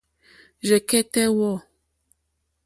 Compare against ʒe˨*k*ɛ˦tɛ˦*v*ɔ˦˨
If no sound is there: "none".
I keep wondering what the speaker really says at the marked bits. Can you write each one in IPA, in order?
k, w

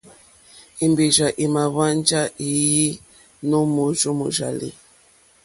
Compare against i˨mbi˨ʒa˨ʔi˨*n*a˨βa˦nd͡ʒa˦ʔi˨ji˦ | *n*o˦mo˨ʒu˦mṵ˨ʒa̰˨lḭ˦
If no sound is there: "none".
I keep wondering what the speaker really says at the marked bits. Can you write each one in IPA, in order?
m, n

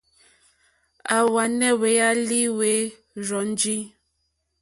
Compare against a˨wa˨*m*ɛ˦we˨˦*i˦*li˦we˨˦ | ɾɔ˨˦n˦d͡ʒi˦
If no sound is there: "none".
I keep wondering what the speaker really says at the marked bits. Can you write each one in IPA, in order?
n, a˦

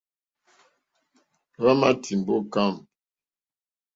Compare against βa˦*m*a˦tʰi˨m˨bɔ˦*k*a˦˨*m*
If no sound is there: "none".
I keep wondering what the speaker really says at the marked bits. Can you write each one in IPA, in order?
m, k, m

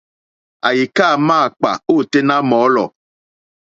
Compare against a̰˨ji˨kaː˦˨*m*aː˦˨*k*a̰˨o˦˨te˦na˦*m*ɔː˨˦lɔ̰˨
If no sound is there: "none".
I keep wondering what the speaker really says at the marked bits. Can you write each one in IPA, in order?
m, k͡p, m

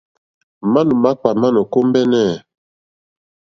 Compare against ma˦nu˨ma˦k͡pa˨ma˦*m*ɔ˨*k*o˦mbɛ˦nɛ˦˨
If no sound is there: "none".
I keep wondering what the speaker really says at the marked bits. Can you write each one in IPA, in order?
n, k

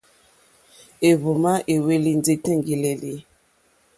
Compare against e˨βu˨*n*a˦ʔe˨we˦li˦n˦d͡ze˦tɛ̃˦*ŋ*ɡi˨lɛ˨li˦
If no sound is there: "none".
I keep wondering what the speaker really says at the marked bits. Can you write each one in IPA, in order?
m, ŋ

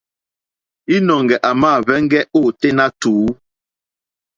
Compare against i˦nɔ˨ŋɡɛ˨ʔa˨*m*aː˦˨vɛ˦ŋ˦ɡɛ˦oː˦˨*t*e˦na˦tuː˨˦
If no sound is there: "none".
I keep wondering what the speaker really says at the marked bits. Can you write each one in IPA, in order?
m, t

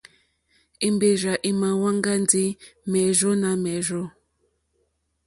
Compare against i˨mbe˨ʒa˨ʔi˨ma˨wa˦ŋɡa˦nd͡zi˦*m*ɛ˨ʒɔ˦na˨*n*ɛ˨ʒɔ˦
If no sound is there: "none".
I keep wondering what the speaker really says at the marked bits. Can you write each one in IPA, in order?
m, m

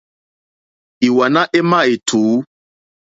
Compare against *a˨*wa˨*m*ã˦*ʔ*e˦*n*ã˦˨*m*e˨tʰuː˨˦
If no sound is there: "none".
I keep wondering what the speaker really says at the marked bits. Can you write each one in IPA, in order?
i˨, n, ʔ, m, none

